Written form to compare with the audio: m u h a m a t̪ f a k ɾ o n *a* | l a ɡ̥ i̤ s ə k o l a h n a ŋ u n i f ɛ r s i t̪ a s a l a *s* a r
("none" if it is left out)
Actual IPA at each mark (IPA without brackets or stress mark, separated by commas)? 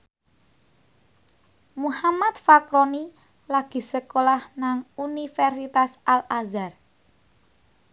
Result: i, z